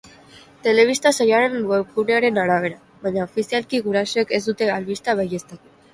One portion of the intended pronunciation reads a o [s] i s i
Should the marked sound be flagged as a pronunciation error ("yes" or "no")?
yes